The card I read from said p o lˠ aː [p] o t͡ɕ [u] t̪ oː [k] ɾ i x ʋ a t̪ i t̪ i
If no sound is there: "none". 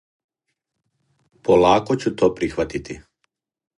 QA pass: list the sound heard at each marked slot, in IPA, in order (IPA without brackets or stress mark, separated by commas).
k, u, p